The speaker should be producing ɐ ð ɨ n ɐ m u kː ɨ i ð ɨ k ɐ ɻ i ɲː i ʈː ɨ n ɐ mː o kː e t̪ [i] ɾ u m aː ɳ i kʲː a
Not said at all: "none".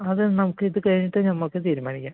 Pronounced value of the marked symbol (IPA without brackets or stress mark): iː